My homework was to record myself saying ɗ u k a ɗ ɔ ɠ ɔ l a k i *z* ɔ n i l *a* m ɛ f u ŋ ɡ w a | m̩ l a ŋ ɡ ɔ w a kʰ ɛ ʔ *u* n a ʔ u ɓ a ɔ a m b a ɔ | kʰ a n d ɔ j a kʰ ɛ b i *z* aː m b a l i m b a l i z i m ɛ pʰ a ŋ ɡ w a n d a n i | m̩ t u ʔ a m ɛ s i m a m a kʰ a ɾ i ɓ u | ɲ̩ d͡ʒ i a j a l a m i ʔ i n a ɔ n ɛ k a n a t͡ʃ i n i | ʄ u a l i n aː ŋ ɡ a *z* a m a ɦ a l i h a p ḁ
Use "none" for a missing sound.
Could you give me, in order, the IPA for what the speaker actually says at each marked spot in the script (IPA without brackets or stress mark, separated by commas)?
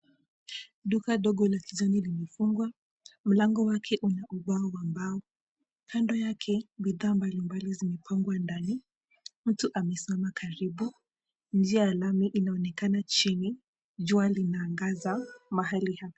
z, i, u, ð, z